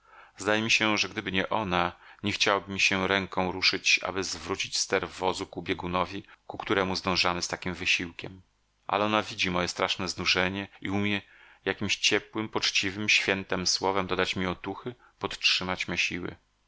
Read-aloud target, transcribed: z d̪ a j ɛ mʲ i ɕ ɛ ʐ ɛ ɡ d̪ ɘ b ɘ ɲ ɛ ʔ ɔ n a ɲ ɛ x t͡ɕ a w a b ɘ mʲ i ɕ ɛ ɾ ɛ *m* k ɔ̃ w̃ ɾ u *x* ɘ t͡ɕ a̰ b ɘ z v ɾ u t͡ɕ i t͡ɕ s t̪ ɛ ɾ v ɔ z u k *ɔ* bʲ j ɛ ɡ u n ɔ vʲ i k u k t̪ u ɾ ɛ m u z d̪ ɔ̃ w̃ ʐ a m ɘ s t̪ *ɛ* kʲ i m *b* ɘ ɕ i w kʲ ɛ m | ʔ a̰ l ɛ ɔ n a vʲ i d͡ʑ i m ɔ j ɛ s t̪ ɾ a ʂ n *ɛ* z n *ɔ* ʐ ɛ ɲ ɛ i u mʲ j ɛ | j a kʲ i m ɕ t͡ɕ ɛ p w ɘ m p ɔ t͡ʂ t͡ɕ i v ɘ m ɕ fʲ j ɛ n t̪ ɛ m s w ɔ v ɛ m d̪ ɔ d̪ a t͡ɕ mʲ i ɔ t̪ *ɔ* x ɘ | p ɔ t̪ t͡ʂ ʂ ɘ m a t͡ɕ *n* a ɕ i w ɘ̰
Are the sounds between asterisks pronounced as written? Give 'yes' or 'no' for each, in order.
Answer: no, no, no, no, no, yes, no, no, no

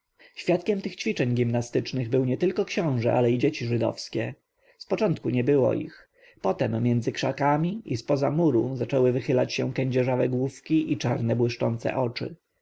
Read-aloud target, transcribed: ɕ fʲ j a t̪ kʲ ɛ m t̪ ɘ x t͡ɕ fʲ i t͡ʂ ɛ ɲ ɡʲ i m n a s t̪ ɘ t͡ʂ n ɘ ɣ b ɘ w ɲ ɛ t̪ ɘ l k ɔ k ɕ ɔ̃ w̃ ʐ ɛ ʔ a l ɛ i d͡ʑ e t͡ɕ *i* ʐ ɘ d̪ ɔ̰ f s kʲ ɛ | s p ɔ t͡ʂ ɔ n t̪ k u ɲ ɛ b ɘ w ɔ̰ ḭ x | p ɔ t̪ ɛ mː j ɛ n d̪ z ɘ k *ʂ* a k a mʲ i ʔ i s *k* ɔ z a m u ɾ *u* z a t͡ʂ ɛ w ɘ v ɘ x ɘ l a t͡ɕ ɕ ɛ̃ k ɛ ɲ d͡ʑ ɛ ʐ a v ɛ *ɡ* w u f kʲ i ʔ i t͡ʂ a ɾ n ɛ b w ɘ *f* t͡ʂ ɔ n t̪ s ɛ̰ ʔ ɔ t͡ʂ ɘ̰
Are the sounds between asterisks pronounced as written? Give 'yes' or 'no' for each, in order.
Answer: yes, yes, no, yes, yes, no

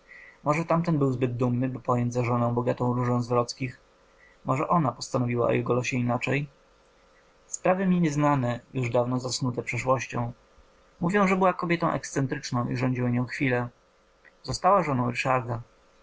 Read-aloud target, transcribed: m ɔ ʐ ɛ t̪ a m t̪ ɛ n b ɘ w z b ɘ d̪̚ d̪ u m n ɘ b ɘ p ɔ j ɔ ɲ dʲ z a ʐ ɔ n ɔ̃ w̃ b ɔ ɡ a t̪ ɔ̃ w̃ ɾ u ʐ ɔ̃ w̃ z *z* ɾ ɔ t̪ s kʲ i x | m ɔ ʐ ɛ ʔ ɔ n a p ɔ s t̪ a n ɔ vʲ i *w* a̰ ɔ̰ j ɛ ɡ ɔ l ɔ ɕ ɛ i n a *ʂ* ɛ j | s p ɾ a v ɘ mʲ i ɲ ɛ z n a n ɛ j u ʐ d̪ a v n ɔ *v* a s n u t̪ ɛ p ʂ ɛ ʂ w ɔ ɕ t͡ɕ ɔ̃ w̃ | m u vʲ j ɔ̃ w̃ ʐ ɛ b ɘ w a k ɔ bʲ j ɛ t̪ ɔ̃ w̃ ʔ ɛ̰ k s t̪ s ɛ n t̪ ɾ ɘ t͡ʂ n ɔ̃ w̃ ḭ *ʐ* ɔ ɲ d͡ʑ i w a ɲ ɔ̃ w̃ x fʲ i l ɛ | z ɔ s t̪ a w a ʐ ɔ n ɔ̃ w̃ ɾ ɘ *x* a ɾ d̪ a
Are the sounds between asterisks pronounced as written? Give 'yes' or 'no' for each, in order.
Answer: no, yes, no, no, yes, no

